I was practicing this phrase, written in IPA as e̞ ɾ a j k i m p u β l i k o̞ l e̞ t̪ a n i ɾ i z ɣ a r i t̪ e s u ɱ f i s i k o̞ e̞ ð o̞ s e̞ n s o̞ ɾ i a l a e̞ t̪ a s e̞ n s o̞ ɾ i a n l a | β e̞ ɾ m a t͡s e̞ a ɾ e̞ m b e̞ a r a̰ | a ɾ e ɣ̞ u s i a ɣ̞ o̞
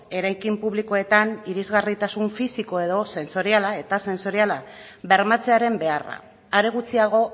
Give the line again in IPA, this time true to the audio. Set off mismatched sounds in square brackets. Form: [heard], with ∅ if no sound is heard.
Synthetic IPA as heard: e̞ ɾ a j k i m p u β l i k o̞ [∅] e̞ t̪ a n i ɾ i z ɣ a r i t̪ [a] s u ɱ f i s i k o̞ e̞ ð o̞ s e̞ n s o̞ ɾ i a l a e̞ t̪ a s e̞ n s o̞ ɾ i a [∅] l a | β e̞ ɾ m a t͡s e̞ a ɾ e̞ m b e̞ a r a̰ | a ɾ e ɣ̞ u [t͡s] i a ɣ̞ o̞